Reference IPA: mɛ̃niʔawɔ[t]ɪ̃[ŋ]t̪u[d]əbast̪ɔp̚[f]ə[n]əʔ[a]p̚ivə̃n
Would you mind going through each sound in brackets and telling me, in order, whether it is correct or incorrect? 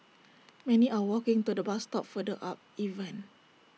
incorrect, correct, correct, correct, incorrect, correct

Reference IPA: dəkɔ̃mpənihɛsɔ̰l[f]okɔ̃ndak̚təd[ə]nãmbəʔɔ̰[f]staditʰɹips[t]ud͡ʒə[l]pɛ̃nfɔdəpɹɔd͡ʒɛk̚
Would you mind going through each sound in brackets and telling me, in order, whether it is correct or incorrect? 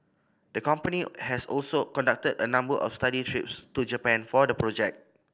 incorrect, correct, correct, correct, incorrect

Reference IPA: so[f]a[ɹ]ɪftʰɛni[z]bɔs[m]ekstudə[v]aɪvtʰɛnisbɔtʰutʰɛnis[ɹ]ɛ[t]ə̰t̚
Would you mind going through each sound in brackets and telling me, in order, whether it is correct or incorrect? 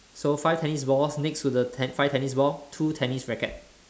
correct, incorrect, incorrect, incorrect, incorrect, correct, incorrect

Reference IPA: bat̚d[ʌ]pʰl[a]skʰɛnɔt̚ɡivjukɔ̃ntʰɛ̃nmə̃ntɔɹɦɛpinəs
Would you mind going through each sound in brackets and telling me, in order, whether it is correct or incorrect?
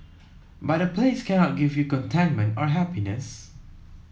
incorrect, incorrect

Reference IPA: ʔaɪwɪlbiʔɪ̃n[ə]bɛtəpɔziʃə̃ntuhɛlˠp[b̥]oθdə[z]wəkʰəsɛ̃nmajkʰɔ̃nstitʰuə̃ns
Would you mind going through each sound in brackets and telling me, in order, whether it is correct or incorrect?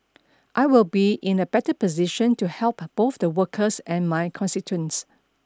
correct, correct, incorrect

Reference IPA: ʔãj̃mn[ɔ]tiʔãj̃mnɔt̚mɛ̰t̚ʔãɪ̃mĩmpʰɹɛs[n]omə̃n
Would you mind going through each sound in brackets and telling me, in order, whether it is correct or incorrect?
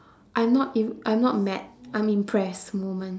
correct, incorrect

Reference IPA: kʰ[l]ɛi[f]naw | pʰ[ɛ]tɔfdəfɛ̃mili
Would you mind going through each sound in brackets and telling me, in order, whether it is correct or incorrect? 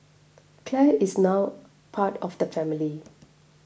correct, incorrect, incorrect

